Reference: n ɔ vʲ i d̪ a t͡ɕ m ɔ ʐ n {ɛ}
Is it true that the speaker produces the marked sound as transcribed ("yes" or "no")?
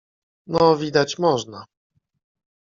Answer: no